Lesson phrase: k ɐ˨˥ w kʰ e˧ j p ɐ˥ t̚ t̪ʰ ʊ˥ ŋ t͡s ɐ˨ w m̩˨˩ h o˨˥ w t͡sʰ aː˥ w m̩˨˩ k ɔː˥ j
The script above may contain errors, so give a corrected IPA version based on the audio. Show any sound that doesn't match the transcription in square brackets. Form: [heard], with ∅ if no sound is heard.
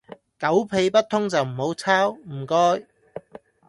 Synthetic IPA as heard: k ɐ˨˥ w [pʰ] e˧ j p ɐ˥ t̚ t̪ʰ ʊ˥ ŋ t͡s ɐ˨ w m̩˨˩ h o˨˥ w t͡sʰ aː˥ w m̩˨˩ k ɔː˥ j